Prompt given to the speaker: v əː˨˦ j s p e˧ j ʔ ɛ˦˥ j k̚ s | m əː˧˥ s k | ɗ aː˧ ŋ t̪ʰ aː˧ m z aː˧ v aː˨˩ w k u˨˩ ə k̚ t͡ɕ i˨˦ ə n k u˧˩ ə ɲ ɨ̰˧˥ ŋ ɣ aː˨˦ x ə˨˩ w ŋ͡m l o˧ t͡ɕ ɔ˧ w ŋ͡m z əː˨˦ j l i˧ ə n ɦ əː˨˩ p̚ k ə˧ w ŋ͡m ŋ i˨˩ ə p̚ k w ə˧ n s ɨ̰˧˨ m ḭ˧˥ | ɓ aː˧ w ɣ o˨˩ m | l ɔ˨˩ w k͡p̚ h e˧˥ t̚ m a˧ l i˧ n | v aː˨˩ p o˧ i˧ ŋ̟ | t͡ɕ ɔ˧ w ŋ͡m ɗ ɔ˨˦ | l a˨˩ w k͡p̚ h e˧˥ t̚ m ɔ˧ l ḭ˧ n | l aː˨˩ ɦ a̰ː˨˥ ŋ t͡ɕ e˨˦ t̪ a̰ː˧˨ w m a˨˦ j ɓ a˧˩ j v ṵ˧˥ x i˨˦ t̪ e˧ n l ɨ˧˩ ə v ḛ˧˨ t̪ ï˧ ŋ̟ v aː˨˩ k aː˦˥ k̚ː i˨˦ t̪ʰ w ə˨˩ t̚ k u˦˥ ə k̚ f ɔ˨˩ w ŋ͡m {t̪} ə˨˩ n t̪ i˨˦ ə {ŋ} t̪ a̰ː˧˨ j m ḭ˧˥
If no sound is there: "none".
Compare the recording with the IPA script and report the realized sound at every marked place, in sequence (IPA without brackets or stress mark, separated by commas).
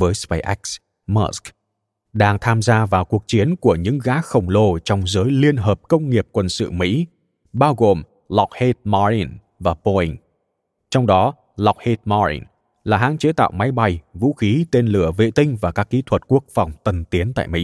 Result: t̪, n